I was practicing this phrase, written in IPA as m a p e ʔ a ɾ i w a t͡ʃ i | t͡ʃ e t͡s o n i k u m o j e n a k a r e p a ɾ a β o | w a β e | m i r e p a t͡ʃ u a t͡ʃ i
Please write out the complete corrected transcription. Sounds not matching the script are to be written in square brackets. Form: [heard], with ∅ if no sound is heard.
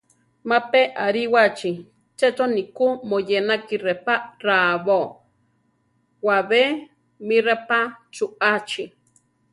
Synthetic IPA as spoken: m a p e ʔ a ɾ i w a t͡ʃ i | t͡ʃ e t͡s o n i k u m o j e n a k [i] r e p a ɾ a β o | w a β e | m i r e p a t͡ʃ u a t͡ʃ i